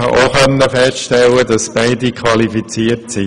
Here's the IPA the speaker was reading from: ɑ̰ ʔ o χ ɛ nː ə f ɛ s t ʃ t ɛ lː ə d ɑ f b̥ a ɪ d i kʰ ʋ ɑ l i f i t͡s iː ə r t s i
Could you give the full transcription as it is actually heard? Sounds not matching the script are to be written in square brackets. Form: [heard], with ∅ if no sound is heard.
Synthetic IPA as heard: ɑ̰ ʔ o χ [œ] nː ə f ɛ s t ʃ t ɛ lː ə d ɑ [s] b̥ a ɪ d i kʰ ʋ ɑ l i f i t͡s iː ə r t s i

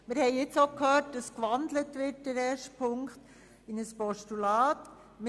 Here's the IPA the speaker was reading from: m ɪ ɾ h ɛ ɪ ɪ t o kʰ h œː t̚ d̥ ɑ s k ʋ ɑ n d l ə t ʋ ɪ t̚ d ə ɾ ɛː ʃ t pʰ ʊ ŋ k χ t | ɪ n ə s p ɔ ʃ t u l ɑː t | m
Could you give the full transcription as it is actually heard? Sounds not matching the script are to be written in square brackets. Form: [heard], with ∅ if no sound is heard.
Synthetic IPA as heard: m ɪ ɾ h ɛ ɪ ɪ [t͡s] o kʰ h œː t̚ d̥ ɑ s k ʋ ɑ n d l ə t ʋ ɪ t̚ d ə ɾ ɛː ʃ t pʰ ʊ ŋ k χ t | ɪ n ə s p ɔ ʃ t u l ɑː t | m

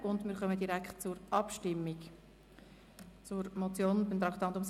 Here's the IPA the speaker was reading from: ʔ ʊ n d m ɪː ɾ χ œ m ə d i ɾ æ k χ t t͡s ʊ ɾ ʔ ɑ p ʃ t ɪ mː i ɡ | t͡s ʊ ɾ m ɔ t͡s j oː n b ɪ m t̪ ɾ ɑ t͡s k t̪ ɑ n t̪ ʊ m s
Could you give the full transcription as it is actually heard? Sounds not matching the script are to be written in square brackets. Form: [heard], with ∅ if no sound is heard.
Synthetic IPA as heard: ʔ ʊ n d m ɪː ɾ χ œ m ə d i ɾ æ k χ t t͡s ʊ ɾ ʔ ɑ p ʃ t ɪ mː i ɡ | t͡s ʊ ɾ m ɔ t͡s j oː n b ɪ m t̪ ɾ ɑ [∅] k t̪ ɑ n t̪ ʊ m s

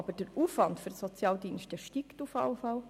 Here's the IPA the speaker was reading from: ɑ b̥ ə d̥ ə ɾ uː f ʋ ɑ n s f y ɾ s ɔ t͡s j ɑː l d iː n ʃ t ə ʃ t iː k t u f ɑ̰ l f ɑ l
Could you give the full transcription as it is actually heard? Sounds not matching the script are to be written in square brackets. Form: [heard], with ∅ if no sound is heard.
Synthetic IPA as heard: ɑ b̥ ə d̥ ə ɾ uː f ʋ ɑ n [t] f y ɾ s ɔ t͡s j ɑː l d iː n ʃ t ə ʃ t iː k t u f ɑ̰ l f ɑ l

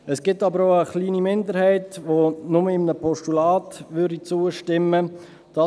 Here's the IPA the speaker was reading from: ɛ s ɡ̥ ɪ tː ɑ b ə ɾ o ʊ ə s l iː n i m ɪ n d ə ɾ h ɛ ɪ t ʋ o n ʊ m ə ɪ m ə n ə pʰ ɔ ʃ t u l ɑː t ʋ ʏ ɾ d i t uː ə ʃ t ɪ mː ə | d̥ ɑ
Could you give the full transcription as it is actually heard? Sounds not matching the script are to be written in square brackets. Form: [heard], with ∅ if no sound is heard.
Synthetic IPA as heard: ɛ s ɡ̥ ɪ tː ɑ b ə ɾ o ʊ ə [χ] l iː n i m ɪ n d ə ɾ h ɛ ɪ t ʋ o n ʊ m ə ɪ m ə n ə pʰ ɔ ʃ t u l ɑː t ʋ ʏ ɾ d i [t͡s] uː ə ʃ t ɪ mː ə | d̥ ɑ

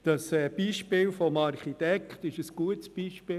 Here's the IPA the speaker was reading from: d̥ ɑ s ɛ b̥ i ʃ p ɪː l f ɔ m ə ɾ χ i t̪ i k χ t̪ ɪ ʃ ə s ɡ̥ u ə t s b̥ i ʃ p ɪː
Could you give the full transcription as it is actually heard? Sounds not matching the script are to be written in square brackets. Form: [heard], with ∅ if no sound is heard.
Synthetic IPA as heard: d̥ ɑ s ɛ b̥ i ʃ p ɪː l f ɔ m [ɑ] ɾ χ i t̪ [ɛ] k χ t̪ ɪ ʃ ə s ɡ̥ u ə t s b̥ i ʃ p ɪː

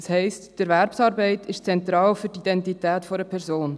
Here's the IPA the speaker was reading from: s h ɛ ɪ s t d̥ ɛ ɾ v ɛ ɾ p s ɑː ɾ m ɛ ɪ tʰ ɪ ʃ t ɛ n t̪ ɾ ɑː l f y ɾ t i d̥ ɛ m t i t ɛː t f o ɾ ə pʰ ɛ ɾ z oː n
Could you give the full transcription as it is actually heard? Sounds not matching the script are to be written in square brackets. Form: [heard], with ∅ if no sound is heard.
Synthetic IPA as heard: s h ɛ ɪ s t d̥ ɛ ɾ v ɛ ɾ p s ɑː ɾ [b] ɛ ɪ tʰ ɪ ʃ [t͡s] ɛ n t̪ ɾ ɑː l f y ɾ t i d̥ ɛ [n] t i t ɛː t f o ɾ ə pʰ ɛ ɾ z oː n

